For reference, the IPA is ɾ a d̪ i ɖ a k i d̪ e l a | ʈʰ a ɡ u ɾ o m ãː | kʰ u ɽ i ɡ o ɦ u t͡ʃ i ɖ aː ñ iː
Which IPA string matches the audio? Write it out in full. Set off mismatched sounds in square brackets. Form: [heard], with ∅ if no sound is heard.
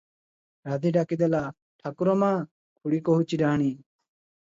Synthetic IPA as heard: ɾ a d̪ i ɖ a k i d̪ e l a | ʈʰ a [k] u ɾ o m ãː | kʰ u ɽ i [k] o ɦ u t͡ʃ i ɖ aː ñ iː